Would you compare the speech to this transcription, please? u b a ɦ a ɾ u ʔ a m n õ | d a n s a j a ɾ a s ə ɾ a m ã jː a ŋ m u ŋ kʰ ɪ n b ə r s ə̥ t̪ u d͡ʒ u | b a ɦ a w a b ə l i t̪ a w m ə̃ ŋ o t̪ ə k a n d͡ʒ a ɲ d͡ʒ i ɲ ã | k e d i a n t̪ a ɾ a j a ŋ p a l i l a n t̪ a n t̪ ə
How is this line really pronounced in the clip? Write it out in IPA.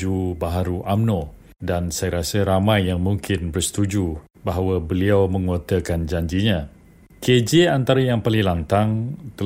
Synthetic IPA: u b a ɦ a ɾ u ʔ a m n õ | d a n s a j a ɾ a s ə ɾ a m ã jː a ŋ m u ŋ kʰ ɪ n b ə r s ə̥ t̪ u d͡ʒ u | b a ɦ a w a b ə l i a w m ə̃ ŋ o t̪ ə k a n d͡ʒ a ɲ d͡ʒ i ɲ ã | k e d͡ʒ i a n t̪ a ɾ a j a ŋ p a l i l a n t̪ a ŋ t̪ ə